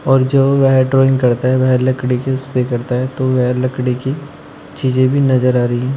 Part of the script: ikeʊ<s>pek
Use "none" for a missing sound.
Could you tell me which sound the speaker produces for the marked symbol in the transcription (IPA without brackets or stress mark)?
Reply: s